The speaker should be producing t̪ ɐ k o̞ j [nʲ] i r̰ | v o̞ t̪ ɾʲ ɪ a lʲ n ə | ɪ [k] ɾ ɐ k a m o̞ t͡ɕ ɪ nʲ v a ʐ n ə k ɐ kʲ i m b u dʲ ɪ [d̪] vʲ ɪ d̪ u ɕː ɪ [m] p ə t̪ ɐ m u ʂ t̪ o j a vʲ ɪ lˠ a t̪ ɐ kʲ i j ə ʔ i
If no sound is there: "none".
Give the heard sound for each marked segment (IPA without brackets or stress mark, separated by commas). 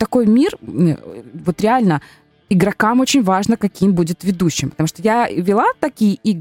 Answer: mʲ, ɡ, t̪, m